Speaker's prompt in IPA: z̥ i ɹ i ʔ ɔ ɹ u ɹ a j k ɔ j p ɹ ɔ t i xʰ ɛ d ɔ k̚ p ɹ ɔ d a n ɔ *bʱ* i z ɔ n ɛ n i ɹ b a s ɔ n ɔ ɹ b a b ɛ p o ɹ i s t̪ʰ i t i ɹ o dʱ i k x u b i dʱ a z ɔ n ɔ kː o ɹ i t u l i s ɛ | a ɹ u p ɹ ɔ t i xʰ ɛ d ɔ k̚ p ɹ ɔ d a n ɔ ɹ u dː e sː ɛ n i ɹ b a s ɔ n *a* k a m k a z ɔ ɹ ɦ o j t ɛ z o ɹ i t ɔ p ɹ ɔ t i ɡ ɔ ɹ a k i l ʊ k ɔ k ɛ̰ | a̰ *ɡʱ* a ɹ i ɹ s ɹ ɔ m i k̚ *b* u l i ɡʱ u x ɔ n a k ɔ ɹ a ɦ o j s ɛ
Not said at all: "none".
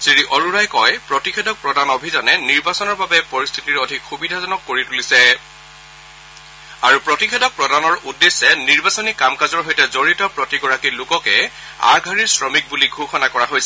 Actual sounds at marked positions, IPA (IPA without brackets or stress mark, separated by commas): bʱ, i, ɡʱ, b